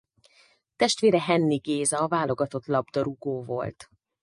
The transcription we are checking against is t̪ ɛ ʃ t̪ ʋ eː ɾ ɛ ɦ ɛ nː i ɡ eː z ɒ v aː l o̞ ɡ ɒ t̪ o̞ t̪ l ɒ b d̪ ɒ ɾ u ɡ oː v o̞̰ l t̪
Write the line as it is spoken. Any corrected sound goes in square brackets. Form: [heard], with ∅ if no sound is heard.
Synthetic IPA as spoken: t̪ ɛ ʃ t̪ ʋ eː ɾ ɛ ɦ ɛ nː i ɡ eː z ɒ v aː l o̞ ɡ ɒ t̪ o̞ t̪ l ɒ b d̪ ɒ ɾ u ɡ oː v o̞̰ l t̪